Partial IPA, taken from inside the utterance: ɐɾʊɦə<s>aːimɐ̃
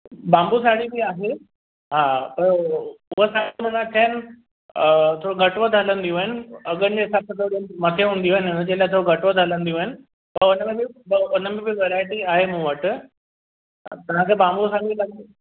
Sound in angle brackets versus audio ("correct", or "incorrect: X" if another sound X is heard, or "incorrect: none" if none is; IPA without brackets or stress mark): correct